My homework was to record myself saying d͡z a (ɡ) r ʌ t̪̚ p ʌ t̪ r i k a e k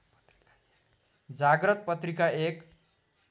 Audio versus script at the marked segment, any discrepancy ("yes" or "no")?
no